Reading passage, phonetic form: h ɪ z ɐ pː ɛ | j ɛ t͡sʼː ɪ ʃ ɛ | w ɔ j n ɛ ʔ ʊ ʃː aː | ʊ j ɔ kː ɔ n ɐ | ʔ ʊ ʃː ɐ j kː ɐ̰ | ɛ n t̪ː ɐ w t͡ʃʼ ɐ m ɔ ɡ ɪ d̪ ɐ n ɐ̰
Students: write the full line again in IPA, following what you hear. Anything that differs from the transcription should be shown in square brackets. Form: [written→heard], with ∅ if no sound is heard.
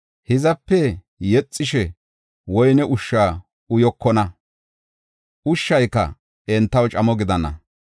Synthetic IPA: h ɪ z ɐ pː ɛ | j ɛ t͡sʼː ɪ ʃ ɛ | w ɔ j n ɛ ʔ ʊ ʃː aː | ʊ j ɔ kː ɔ n ɐ | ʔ ʊ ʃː ɐ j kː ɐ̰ | ɛ n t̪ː ɐ w t͡ʃʼ ɐ m ɔ ɡ ɪ d̪ ɐ n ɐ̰